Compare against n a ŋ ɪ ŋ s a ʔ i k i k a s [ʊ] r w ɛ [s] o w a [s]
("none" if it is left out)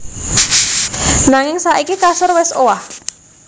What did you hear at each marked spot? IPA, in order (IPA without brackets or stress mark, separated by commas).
ʊ, s, h